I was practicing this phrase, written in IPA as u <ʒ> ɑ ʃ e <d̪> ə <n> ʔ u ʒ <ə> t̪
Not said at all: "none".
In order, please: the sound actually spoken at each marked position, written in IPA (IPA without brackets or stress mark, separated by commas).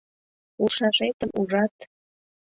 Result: ʃ, t̪, m, ɑ